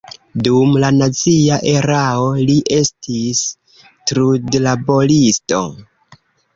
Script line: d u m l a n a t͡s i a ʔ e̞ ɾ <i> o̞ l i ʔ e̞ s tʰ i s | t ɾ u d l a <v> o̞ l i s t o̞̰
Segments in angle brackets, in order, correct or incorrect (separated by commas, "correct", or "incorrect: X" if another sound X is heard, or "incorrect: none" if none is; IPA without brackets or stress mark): incorrect: a, incorrect: b